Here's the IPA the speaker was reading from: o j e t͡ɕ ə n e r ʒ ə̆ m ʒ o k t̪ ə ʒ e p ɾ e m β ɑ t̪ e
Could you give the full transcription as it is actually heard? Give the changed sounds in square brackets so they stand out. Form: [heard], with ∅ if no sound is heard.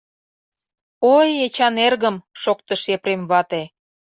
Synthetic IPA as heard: o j e t͡ɕ [ɑ] n e r [ɣ] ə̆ m [ʃ] o k t̪ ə [ʃ] e p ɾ e m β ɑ t̪ e

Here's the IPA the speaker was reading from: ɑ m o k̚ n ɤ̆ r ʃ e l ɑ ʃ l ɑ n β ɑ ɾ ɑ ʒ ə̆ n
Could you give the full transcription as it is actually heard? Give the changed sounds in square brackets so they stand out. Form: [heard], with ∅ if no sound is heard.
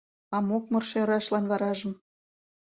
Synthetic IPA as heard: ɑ m o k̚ [m] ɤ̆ r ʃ e [ɾ] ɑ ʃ l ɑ n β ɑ ɾ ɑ ʒ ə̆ [m]

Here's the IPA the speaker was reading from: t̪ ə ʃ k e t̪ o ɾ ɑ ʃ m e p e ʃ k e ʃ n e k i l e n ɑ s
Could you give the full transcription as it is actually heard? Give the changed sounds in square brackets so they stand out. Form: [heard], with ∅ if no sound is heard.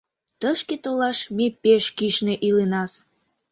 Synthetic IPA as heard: t̪ ə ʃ k e t̪ o [l] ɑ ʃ m e p e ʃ k [i] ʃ n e [ʔ] i l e n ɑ s

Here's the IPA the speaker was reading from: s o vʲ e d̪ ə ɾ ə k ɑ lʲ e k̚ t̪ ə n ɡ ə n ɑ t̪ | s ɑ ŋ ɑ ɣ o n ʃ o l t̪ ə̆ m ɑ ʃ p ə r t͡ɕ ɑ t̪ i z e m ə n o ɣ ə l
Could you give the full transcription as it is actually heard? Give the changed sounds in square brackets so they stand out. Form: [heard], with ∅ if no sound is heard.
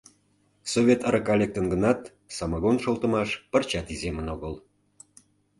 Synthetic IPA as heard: s o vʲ e [t̪] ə ɾ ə k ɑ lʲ e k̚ t̪ ə n ɡ ə n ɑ t̪ | s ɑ [m] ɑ ɣ o n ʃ o l t̪ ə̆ m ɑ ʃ p ə r t͡ɕ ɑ t̪ i z e m ə n o ɣ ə l

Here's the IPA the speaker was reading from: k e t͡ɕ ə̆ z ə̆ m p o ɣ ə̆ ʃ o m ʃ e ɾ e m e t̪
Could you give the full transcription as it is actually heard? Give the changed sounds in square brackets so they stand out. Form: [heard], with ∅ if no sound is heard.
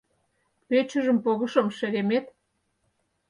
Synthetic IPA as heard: [p] e t͡ɕ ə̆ [ʒ] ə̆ m p o ɣ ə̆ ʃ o m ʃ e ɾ e m e t̪

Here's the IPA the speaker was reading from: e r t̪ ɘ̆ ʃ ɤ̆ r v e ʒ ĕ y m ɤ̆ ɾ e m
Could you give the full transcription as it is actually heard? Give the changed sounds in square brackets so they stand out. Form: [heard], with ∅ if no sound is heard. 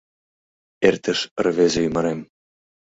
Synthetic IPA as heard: e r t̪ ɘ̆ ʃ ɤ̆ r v e [z] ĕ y m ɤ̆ ɾ e m

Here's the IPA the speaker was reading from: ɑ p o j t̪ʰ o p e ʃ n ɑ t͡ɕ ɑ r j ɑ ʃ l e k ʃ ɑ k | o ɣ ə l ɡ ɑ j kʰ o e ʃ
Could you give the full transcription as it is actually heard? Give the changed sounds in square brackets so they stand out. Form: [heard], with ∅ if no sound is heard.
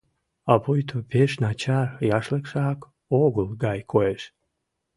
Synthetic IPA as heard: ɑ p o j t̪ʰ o p e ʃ n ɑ t͡ɕ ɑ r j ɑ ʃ l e k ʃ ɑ k | o ɣ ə l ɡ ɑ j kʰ o e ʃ

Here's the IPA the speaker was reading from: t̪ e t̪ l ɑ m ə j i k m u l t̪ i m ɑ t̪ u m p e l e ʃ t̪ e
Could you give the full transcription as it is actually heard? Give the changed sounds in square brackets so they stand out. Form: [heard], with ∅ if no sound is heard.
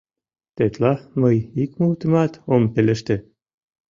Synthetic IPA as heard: t̪ e t̪ l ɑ m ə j i k m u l t̪ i m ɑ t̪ [o] m p e l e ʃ t̪ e

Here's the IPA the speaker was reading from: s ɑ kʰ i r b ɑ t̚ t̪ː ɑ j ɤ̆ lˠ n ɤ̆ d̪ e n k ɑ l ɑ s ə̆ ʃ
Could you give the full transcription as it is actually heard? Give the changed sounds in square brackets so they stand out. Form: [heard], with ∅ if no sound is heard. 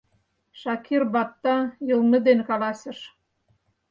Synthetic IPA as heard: [ʃ] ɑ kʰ i r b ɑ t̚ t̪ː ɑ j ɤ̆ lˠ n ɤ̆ d̪ e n k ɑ l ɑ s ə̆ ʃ

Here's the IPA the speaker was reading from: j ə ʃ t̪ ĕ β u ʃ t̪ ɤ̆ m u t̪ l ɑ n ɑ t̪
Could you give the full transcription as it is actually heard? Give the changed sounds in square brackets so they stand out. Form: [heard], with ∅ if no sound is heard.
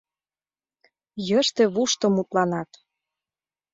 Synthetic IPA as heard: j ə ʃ t̪ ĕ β u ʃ t̪ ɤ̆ m u t̪ l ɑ n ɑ t̪

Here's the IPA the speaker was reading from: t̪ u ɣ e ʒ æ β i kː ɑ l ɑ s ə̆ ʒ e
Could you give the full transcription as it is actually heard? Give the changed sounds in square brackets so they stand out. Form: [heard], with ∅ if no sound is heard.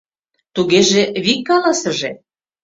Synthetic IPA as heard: t̪ u ɣ e ʒ [e] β i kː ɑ l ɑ s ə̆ ʒ e

